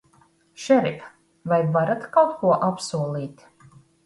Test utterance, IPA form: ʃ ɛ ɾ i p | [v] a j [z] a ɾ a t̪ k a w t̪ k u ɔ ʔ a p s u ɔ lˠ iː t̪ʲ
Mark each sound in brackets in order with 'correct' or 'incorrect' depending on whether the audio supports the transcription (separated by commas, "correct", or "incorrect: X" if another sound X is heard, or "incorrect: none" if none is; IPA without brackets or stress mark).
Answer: correct, incorrect: v